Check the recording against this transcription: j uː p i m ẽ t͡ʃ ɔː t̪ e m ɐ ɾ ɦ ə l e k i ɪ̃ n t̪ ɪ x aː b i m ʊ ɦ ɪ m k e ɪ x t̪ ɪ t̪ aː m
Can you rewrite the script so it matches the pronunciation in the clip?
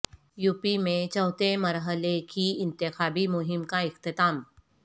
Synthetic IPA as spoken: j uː p i m ẽ t͡ʃ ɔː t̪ e m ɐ ɾ ɦ ə l e k i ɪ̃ n t̪ ɪ x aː b i m ʊ ɦ ɪ m k a ɪ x t̪ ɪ t̪ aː m